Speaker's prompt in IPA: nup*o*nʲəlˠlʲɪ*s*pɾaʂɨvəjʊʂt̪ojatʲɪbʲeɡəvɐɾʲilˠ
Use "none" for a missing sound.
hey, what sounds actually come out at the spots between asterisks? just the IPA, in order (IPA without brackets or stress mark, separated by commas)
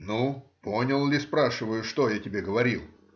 o, s